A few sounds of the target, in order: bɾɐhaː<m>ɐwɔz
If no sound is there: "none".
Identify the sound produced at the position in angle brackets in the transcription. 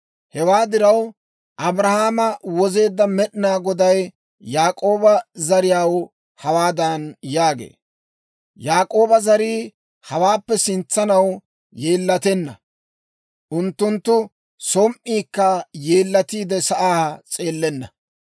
m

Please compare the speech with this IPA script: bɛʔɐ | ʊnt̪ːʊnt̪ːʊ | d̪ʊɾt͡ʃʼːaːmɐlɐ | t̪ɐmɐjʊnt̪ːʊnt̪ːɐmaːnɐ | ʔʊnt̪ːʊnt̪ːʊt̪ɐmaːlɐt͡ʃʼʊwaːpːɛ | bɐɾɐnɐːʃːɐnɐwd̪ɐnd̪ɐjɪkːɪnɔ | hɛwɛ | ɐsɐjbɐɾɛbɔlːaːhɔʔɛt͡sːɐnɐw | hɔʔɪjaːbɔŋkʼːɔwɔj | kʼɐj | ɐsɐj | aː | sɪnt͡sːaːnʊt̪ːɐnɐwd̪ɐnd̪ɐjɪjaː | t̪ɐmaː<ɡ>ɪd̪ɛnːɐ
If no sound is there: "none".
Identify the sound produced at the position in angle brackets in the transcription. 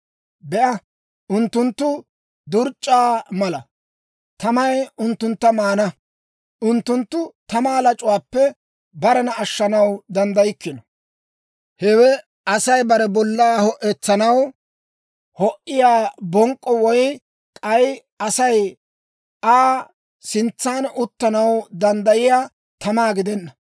ɡ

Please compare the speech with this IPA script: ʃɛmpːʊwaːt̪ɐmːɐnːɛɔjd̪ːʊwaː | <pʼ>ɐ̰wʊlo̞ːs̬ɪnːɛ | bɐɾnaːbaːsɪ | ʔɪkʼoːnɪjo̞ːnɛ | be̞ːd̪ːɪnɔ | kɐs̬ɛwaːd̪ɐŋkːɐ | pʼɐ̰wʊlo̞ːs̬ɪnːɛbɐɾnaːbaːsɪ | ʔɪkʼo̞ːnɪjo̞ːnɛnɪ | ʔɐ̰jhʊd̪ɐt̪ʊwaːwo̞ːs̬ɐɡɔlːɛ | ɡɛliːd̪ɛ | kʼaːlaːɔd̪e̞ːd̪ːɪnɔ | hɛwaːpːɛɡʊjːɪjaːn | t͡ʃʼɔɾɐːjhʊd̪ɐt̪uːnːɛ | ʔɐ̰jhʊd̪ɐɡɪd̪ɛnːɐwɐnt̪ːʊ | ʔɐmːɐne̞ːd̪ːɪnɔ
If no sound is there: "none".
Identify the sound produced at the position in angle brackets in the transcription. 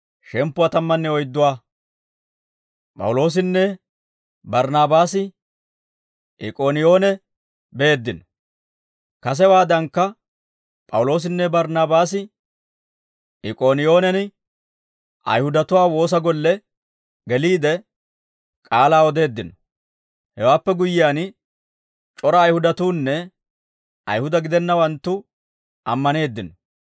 pʼ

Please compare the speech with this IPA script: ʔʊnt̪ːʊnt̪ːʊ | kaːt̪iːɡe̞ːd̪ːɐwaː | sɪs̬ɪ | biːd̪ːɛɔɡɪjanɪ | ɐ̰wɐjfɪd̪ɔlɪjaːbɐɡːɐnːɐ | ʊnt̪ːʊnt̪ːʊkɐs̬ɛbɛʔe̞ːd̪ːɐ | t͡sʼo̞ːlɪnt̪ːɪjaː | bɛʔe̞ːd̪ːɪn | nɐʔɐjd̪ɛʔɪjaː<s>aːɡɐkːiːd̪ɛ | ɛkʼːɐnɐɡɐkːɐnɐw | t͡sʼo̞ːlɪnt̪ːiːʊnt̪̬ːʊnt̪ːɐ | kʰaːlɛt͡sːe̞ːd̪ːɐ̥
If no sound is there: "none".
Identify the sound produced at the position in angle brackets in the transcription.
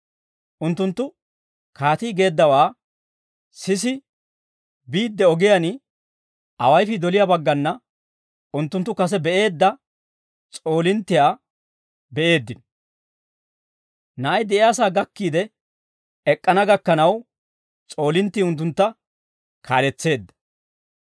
s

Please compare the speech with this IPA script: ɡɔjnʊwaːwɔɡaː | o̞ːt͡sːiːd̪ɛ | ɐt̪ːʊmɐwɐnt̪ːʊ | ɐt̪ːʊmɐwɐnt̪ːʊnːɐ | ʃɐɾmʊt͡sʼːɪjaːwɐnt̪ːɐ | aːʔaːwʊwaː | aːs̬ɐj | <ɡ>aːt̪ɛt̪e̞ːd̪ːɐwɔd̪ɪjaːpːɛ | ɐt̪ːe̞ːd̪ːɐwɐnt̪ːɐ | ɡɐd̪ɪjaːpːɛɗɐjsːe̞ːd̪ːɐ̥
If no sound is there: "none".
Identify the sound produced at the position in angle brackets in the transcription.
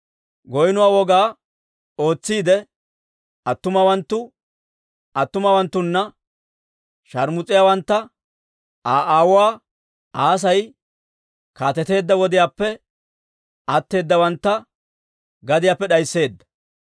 k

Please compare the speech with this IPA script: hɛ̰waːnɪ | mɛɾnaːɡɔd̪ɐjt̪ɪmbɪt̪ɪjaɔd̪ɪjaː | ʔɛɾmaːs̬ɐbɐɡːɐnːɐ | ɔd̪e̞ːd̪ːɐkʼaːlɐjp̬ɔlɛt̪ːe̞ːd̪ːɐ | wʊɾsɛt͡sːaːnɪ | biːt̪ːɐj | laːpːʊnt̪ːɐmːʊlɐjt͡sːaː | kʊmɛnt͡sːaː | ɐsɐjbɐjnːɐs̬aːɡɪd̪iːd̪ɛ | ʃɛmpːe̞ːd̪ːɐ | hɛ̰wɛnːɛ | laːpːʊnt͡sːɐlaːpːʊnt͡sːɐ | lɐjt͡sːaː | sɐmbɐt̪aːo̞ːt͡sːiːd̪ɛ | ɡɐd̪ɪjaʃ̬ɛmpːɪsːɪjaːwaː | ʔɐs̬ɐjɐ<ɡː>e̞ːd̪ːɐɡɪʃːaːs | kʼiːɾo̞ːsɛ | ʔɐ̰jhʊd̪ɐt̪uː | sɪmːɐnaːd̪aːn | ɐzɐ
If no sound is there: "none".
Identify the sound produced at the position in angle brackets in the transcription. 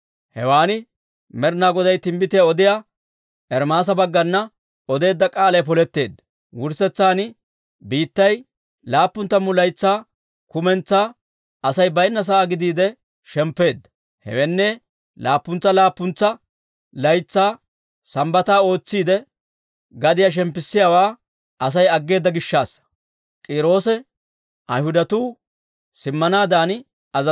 ɡː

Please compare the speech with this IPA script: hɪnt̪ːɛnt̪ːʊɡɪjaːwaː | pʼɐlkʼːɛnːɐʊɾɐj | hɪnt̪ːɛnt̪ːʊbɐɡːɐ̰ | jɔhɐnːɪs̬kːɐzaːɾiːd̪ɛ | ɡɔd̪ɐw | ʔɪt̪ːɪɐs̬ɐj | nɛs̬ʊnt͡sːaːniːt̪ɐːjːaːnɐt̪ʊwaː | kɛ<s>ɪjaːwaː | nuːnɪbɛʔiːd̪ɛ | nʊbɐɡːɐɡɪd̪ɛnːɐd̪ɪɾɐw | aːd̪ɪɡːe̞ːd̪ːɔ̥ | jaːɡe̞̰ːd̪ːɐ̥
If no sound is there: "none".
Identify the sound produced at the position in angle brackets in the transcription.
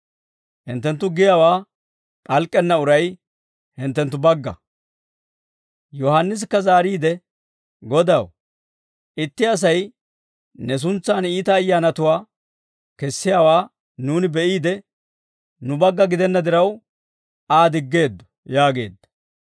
sː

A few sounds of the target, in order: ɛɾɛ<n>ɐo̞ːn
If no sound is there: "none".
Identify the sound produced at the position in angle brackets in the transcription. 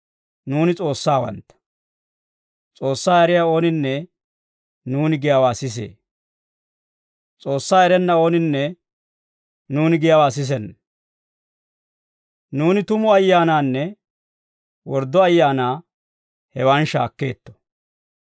nː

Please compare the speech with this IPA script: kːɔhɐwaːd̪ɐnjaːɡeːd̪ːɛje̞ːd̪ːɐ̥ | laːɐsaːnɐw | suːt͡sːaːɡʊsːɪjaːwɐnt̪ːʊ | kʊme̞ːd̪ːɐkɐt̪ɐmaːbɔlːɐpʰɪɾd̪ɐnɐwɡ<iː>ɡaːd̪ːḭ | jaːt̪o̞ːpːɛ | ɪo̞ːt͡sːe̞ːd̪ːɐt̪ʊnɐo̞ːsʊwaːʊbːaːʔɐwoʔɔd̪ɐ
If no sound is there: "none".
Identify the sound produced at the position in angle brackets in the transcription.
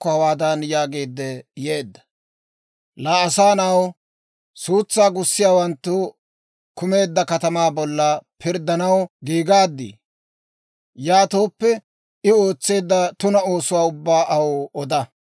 iː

